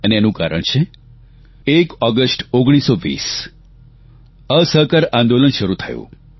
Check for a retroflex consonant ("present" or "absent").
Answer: present